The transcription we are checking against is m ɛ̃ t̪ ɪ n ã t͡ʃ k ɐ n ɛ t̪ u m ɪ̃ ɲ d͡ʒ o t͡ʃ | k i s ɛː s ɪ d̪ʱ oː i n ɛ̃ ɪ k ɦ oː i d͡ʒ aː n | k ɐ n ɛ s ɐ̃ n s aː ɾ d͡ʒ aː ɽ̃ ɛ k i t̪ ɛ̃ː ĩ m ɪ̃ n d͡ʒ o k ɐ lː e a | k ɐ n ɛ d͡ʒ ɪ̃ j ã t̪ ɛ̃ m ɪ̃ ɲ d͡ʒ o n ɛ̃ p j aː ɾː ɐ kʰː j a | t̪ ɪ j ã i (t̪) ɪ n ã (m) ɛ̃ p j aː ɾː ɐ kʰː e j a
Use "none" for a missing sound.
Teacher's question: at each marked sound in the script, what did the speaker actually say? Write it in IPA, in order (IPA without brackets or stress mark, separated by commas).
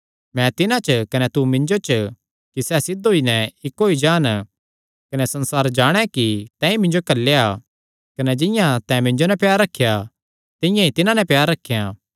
t̪, n